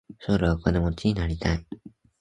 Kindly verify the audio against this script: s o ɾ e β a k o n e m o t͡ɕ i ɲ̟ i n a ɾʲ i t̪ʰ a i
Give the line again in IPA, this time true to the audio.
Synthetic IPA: s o ɾ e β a k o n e m o t͡ɕ i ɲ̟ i n a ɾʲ i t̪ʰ a i